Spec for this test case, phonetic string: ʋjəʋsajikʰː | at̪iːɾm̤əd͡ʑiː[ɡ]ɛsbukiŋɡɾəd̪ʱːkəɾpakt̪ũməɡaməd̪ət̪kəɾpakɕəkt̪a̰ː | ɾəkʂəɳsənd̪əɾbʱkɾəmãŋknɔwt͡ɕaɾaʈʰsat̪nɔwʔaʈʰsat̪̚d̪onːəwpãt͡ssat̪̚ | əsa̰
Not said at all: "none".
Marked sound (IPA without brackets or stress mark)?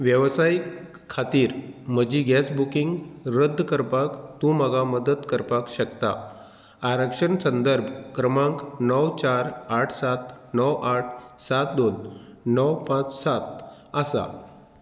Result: ɡ